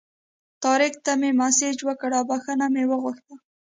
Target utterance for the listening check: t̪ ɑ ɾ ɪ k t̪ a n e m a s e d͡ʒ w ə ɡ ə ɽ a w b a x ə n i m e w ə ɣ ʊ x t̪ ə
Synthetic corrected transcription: t̪ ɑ ɾ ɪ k t̪ a m e m a s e d͡ʒ w ə k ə ɽ a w b a x ə n a m e w ə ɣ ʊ x t̪ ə